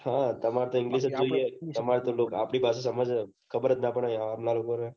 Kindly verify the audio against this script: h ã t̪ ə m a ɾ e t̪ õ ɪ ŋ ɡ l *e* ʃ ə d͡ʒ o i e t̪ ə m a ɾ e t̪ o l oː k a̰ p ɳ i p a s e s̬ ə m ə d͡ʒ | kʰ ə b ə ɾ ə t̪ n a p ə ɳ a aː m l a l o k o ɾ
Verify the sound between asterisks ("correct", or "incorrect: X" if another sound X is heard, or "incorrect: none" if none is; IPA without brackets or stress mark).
incorrect: i